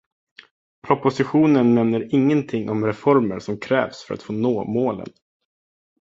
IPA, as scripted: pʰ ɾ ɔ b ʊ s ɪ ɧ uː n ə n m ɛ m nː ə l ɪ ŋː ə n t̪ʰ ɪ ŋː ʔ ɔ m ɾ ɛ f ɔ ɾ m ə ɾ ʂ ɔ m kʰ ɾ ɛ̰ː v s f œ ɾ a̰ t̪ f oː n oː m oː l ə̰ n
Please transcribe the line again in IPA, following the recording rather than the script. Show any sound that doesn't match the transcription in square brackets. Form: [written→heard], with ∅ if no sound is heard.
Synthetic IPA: pʰ ɾ ɔ [b→p] ʊ s ɪ ɧ uː n ə n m ɛ m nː ə [l→ɾ] ɪ ŋː ə n t̪ʰ ɪ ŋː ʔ ɔ m ɾ ɛ f ɔ ɾ m ə ɾ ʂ ɔ m kʰ ɾ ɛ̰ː v s f œ ɾ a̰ t̪ f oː n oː m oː l ə̰ n